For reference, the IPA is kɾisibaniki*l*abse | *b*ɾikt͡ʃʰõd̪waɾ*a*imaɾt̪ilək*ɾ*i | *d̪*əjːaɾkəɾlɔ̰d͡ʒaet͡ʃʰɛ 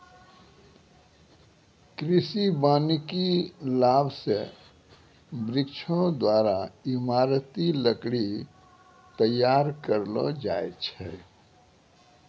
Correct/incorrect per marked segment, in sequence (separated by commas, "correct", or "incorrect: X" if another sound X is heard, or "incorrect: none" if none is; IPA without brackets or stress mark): correct, correct, correct, incorrect: ɽ, incorrect: t̪